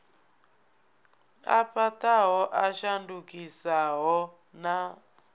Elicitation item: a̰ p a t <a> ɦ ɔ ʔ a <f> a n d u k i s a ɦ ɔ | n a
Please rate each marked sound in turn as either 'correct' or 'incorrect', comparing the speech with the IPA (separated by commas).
correct, incorrect